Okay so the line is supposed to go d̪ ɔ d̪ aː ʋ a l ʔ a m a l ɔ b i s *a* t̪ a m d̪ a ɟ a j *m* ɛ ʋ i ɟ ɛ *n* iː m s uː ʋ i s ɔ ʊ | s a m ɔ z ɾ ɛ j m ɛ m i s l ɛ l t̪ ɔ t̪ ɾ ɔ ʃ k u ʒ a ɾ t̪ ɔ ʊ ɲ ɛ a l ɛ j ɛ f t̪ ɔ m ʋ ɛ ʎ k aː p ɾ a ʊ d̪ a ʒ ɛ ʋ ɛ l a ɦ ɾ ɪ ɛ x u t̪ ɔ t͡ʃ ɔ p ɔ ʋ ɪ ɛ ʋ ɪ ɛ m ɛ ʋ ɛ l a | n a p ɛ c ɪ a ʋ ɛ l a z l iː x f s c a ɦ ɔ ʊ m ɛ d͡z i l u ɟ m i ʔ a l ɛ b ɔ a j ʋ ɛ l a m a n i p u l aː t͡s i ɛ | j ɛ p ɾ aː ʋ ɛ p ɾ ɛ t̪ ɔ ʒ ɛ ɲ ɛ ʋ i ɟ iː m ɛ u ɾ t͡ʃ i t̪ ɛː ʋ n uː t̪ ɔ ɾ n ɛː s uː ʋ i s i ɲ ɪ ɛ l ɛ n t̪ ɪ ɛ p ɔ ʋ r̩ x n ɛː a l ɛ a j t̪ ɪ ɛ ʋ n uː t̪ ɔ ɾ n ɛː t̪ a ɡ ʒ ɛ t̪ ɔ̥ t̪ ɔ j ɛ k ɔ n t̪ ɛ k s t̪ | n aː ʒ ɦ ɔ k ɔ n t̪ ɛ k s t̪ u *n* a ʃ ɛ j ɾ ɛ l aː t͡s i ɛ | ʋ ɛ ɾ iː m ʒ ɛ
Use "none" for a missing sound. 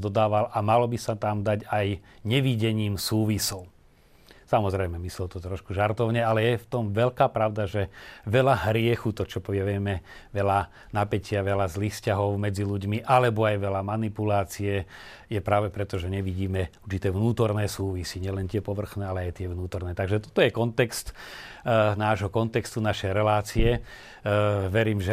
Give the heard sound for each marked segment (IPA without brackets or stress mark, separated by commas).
a, ɲ, ɲ, n